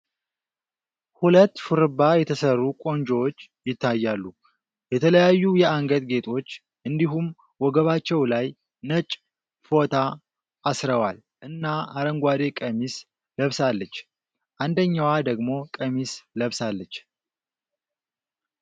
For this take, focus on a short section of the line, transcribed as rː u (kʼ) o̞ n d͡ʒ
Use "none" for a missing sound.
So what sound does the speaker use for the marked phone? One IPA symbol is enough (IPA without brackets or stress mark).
kʼ